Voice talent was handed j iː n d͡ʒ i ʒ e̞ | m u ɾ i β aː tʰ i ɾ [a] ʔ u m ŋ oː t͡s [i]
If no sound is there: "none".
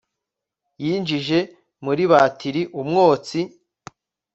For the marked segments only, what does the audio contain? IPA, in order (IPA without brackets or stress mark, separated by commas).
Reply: i, i